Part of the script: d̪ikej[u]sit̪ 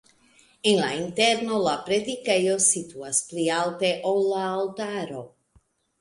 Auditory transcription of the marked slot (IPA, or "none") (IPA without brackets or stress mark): o